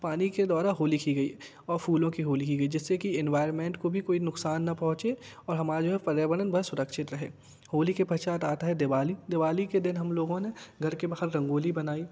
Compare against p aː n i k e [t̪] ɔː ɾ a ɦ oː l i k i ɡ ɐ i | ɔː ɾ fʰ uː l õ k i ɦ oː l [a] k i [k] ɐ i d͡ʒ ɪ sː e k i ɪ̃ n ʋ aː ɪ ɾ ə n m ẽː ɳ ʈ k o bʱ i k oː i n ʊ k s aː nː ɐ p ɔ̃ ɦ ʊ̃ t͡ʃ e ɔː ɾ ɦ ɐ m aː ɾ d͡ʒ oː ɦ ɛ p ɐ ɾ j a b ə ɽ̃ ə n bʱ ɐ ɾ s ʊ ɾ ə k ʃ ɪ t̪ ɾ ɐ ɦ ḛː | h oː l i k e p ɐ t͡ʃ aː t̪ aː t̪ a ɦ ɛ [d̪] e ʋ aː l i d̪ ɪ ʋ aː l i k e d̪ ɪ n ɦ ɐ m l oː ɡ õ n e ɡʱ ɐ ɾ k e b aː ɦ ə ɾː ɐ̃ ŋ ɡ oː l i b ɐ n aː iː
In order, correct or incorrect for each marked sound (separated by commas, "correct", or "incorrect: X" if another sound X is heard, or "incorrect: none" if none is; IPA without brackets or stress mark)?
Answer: incorrect: d̪, incorrect: i, incorrect: ɡ, correct